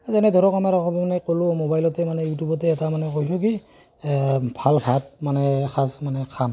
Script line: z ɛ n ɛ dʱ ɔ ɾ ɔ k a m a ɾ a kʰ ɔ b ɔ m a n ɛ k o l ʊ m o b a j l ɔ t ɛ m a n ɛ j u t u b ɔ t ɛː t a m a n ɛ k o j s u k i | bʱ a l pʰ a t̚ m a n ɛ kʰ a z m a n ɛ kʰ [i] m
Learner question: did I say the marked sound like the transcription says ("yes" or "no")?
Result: no